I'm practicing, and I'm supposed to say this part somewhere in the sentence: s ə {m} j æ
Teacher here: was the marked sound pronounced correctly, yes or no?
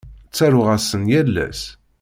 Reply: no